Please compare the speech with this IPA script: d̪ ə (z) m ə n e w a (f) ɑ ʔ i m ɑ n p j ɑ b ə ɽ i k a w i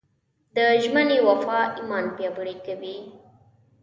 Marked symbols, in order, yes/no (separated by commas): no, yes